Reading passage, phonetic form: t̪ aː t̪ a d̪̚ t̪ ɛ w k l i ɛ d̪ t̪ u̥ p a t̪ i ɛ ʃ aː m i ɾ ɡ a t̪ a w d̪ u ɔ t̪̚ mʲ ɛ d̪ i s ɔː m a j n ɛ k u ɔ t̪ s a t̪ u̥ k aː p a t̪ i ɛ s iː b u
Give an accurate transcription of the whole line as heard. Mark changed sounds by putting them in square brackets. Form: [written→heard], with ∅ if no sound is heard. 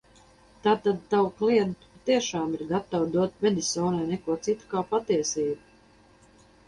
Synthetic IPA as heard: t̪ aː t̪ a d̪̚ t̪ [ɛ→a] w k l i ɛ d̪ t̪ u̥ p a t̪ i ɛ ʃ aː m i ɾ ɡ a t̪ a w d̪ u ɔ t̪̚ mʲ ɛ d̪ i s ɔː [m→n] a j n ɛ k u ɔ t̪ s [a→i] t̪ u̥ k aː p a t̪ i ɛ s iː b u